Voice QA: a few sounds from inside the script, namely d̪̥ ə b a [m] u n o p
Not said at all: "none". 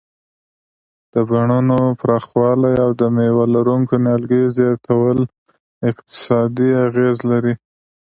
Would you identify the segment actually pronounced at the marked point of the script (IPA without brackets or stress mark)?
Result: ɳ